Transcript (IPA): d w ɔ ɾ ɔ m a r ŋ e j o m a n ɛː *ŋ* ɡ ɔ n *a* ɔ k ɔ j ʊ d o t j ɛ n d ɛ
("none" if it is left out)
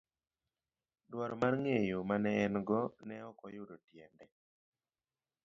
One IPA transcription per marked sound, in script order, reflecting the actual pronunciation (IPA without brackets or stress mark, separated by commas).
n, ɛ